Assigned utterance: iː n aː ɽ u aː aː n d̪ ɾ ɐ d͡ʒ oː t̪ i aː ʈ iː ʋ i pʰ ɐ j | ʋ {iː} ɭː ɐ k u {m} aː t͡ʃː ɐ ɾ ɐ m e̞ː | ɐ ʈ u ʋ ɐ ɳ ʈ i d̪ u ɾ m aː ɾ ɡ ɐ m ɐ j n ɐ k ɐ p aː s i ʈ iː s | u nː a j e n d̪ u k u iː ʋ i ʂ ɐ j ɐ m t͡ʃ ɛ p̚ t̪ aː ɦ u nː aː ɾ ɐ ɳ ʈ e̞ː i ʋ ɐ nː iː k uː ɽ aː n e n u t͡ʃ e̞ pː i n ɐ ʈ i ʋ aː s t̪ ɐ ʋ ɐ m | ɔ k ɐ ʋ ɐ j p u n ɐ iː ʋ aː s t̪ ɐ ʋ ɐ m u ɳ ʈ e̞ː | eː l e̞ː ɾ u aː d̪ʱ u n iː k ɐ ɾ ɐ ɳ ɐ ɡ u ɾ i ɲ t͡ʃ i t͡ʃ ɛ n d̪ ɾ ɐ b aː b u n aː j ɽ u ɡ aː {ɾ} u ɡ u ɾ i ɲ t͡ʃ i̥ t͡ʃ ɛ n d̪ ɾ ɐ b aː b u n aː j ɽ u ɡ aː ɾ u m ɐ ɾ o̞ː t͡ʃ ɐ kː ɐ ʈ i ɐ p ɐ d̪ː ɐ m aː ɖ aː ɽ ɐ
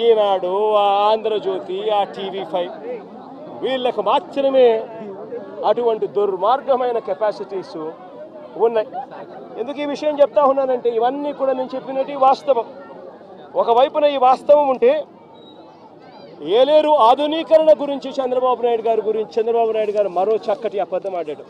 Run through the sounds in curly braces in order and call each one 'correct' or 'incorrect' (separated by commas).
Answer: correct, correct, correct